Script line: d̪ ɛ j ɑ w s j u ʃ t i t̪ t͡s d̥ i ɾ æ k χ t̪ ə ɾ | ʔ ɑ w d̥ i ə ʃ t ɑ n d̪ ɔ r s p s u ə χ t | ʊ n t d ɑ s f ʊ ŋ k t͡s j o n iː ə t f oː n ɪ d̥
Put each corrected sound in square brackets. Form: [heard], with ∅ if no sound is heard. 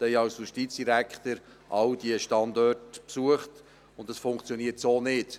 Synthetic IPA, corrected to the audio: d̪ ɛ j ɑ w s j u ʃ t i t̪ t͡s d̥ i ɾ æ k χ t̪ ə ɾ | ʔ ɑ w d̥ i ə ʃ t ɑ n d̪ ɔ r [t] p s u ə χ t | ʊ n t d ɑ s f ʊ ŋ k t͡s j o n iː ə t [s] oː n ɪ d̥